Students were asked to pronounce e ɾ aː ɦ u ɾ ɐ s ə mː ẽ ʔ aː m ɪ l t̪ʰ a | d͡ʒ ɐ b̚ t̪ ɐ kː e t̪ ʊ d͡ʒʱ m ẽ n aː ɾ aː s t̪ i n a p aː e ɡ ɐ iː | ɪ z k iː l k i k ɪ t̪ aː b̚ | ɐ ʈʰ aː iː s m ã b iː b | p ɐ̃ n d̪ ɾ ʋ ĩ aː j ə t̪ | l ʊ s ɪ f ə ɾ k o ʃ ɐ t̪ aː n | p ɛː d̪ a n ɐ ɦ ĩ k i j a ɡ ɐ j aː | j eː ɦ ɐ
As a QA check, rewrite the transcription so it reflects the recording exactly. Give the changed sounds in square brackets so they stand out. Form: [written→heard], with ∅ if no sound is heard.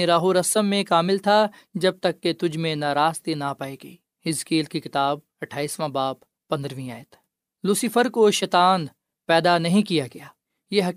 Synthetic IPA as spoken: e ɾ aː ɦ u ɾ ɐ s ə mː ẽ [ʔ→k] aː m ɪ l t̪ʰ a | d͡ʒ ɐ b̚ t̪ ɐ kː e t̪ ʊ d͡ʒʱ m ẽ n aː ɾ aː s t̪ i n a p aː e ɡ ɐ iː | ɪ z k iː l k i k ɪ t̪ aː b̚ | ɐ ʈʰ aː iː s m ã b [iː→aː] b | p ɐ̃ n d̪ ɾ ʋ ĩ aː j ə t̪ | l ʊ s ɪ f ə ɾ k o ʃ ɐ t̪ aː n | p ɛː d̪ a n ɐ ɦ ĩ k i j a ɡ ɐ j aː | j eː ɦ ɐ